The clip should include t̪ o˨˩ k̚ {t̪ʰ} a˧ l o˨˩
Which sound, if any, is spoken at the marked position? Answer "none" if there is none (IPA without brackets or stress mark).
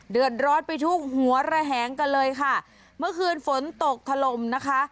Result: t̪ʰ